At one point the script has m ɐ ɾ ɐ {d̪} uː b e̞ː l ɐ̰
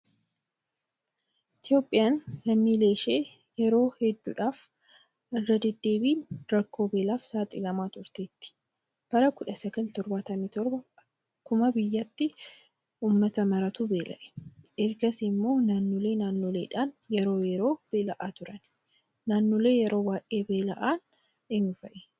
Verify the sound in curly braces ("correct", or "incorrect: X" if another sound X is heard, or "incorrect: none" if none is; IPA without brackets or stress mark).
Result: incorrect: t̪